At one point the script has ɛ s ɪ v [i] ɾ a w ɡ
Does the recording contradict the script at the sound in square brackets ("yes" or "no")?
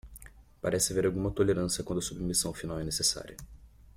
yes